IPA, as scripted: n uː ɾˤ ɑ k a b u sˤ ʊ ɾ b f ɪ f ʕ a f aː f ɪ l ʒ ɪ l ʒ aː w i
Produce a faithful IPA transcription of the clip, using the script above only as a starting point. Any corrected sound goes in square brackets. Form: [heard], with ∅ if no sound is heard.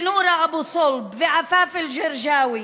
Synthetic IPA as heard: n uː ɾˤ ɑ [ʔ] a b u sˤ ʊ [l] b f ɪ [∅] ʕ a f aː f ɪ l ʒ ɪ [ɾ] ʒ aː w i